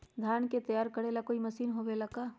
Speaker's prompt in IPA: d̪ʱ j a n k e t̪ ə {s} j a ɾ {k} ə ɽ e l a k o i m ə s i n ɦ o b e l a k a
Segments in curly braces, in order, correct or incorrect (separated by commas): incorrect, correct